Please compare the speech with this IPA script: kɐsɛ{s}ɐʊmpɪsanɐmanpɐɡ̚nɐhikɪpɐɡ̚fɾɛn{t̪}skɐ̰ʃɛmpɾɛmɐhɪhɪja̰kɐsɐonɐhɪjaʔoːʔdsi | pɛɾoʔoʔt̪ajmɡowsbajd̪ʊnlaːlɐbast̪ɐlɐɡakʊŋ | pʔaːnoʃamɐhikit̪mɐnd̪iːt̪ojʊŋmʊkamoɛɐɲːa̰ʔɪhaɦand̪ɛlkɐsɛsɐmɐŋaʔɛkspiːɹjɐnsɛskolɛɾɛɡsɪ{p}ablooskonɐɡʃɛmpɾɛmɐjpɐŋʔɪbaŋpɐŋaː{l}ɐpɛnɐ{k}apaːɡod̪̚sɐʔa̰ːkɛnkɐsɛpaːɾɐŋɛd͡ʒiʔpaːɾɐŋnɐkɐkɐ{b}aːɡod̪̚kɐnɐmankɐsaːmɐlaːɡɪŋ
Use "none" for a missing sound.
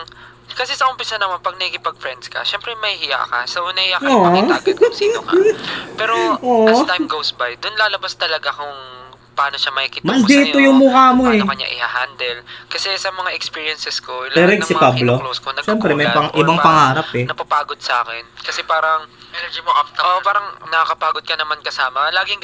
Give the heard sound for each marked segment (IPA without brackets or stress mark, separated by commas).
s, d̪, p, ɾ, p, p